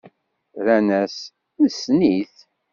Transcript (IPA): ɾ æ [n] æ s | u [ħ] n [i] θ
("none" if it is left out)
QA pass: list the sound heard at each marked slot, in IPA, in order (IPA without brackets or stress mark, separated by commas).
n, s, i